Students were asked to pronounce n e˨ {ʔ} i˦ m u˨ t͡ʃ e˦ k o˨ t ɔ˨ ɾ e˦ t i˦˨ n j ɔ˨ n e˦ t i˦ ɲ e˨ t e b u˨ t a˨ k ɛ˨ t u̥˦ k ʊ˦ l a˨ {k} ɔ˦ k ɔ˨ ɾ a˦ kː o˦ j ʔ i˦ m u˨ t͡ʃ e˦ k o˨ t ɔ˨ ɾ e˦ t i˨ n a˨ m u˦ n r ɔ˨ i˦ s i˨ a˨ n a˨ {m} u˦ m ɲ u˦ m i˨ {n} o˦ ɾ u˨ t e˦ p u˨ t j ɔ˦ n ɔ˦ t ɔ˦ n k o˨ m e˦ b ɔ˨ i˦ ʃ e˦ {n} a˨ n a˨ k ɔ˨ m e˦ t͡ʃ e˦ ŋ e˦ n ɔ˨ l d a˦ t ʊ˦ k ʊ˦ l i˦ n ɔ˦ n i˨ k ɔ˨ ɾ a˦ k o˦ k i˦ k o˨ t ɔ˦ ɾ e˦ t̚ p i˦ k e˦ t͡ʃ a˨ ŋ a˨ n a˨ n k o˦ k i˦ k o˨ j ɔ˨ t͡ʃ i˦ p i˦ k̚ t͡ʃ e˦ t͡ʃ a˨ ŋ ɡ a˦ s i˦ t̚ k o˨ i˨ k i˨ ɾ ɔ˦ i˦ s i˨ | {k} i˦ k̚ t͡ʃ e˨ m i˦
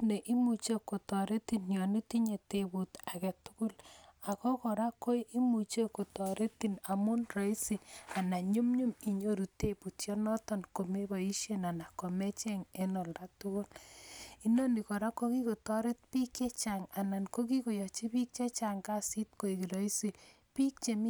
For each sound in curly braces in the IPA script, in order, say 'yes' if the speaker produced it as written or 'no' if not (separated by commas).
yes, yes, no, no, yes, no